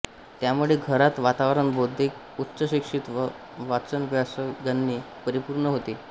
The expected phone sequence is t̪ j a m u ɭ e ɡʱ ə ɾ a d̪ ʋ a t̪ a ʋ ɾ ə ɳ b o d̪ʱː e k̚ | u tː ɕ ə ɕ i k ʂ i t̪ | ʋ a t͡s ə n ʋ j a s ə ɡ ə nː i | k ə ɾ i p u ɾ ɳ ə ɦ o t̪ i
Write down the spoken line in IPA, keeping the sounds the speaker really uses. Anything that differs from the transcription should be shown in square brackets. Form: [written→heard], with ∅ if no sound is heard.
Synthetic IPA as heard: t̪ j a m u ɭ e ɡʱ ə ɾ a [d̪→t̪] ʋ a t̪ a ʋ ɾ ə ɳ b o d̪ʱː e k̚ | u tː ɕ ə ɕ i k ʂ i t̪ | ʋ a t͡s ə n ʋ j a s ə ɡ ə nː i | [k→p] ə ɾ i p u ɾ ɳ ə ɦ o t̪ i